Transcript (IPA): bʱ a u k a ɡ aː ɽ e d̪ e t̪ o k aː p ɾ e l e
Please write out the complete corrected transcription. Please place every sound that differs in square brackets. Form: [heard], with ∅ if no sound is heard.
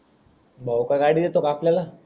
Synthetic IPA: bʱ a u k a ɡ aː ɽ [i] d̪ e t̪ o k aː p [l] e l [a]